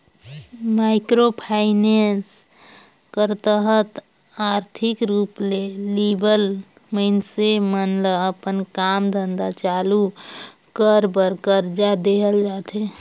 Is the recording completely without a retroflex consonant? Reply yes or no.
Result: yes